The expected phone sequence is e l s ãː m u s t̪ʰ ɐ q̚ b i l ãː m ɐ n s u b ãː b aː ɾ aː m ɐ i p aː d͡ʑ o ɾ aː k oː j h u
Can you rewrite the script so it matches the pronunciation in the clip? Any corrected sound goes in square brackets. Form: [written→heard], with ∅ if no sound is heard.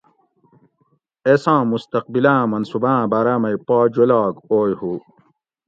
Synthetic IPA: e [l→∅] s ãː m u s [t̪ʰ→t̪] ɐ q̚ b i l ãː m ɐ n s u b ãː b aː ɾ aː m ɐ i p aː d͡ʑ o [ɾ→l] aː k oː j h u